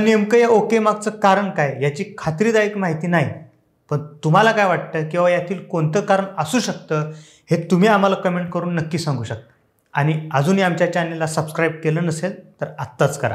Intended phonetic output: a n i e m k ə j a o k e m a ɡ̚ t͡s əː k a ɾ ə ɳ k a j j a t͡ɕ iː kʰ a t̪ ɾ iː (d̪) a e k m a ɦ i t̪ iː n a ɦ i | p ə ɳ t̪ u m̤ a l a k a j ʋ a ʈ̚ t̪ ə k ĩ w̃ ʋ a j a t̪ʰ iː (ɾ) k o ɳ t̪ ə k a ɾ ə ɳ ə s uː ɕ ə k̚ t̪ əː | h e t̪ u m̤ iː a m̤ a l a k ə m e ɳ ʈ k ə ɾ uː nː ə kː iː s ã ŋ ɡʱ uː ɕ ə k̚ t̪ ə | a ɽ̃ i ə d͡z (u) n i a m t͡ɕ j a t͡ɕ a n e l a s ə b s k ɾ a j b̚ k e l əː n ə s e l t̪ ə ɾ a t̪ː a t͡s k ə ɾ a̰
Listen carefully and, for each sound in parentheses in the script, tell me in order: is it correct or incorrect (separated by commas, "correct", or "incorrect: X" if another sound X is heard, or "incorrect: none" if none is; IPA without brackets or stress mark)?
correct, incorrect: l, incorrect: uː